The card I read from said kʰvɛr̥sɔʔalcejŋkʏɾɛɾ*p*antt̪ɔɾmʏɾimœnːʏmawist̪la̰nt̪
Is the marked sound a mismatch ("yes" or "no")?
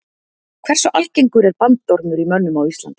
no